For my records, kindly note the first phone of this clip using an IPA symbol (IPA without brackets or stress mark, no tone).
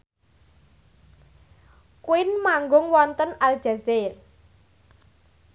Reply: k